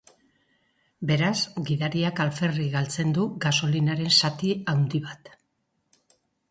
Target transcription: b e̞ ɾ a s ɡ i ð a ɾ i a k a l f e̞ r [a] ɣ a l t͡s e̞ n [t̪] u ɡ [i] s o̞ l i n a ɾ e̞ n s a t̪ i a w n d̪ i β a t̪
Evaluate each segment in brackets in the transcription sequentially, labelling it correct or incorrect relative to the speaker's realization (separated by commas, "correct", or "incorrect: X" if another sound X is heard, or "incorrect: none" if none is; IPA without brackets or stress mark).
incorrect: i, incorrect: d̪, incorrect: a